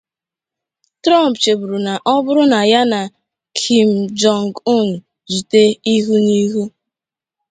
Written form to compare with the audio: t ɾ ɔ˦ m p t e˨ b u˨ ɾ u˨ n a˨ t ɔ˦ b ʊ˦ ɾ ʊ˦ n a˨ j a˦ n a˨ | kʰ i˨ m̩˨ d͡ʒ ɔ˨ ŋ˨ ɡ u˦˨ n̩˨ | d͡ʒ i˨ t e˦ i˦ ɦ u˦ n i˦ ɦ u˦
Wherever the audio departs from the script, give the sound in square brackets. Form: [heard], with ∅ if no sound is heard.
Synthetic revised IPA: t ɾ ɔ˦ m p [t͡ʃ] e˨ b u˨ ɾ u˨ n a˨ [ʔ] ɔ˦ b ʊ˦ ɾ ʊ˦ n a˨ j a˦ n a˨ | kʰ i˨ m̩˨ d͡ʒ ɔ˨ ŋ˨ ɡ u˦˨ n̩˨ | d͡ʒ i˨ t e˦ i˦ ɦ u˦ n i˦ ɦ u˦